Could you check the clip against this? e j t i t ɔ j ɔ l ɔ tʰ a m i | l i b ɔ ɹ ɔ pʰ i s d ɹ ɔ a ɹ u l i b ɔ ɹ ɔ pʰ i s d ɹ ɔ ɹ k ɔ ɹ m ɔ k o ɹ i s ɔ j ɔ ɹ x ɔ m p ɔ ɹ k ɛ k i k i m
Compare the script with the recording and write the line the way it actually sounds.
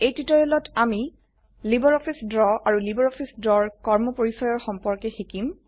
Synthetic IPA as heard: e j t i t ɔ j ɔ l ɔ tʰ a m i | l i b ɔ ɹ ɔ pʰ i s d ɹ ɔ a ɹ u l i b ɔ ɹ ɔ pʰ i s d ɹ ɔ ɹ k ɔ ɹ m ɔ p o ɹ i s ɔ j ɔ ɹ x ɔ m p ɔ ɹ k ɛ x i k i m

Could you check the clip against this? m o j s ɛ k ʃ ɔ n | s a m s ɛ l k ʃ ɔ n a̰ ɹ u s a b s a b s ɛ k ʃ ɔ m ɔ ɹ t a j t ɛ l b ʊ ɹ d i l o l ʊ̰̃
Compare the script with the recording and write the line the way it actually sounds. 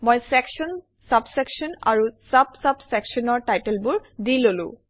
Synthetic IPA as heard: m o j s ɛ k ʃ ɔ n | s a b s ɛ k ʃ ɔ n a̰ ɹ u s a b s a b s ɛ k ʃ ɔ n ɔ ɹ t a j t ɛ l b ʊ ɹ d i l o l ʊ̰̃

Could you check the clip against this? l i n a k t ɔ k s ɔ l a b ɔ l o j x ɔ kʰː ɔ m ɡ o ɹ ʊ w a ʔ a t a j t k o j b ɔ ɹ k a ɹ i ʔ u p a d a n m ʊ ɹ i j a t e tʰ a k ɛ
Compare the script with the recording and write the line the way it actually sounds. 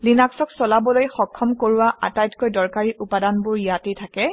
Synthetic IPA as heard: l i n a k s ɔ k s ɔ l a b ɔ l o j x ɔ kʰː ɔ m k o ɹ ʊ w a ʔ a t a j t k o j d ɔ ɹ k a ɹ i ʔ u p a d a n b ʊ ɹ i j a t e tʰ a k ɛ

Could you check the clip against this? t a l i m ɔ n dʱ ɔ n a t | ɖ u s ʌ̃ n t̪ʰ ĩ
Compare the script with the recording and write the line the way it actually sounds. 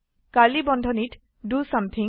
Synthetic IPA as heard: k a l i b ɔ n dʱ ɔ n i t | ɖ u s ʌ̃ m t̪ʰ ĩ

